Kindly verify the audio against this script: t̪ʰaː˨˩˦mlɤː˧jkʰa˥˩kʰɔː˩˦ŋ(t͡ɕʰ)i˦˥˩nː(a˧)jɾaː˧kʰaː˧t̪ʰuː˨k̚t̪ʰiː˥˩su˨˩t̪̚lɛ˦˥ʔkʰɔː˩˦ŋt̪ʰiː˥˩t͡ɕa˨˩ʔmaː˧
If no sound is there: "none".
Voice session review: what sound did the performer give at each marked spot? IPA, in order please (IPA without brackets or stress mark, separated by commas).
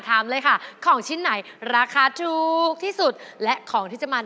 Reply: t͡ɕʰ, a˩˦